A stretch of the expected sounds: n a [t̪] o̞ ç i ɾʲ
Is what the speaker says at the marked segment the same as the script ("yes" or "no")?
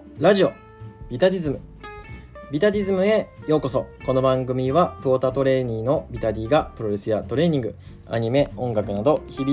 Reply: no